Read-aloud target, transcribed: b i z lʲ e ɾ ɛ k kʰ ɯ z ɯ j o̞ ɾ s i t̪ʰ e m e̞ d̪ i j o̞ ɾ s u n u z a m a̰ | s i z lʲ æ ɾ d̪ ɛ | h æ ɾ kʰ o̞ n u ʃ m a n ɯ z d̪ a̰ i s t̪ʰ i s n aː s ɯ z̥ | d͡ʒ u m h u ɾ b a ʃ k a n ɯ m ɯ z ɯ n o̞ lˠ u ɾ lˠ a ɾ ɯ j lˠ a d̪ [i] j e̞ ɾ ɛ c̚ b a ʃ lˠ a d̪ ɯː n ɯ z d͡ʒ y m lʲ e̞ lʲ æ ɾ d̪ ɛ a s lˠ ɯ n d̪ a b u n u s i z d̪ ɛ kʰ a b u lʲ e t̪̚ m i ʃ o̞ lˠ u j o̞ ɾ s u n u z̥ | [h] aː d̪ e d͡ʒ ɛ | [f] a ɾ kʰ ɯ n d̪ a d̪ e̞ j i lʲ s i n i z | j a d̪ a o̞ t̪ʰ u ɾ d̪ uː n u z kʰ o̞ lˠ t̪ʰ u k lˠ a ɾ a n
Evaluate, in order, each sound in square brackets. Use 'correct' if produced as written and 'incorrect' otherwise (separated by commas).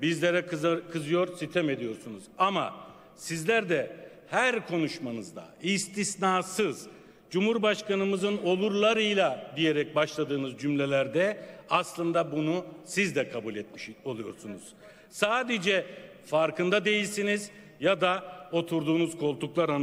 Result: correct, incorrect, correct